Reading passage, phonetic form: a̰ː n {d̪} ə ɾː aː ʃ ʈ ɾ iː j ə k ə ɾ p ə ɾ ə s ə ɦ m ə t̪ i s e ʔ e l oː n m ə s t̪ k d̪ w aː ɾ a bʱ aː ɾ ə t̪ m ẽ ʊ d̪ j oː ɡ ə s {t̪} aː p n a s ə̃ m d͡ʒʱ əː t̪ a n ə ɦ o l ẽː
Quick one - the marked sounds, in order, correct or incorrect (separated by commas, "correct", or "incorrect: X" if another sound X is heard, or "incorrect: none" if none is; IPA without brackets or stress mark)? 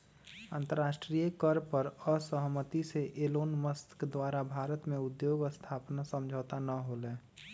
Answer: incorrect: t̪, incorrect: t̪ʰ